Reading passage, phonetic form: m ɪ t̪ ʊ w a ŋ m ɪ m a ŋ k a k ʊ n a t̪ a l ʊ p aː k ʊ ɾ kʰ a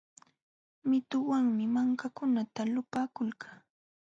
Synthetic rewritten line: m ɪ t̪ ʊ w a ŋ m ɪ m a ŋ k a k ʊ n a t̪ a l ʊ p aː k ʊ l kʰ a

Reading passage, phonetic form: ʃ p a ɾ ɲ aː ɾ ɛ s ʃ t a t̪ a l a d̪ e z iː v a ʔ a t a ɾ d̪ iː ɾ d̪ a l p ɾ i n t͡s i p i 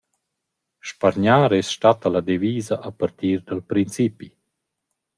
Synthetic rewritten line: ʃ p a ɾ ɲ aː ɾ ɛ s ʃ t a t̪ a l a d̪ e v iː z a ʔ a p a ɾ t̪ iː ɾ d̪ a l p ɾ i n t͡s i p i

